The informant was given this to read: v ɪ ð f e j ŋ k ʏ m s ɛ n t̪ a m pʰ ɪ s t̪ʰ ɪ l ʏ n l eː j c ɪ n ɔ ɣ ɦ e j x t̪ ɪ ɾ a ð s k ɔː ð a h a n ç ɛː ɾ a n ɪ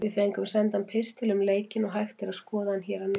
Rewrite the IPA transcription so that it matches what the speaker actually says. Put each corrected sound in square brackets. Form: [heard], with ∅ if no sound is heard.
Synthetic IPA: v ɪ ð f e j ŋ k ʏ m s ɛ n t̪ a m pʰ ɪ s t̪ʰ ɪ l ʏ [m] l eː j c ɪ n ɔ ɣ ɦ [a] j x t̪ ɪ ɾ a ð s k ɔː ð a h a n ç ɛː ɾ a n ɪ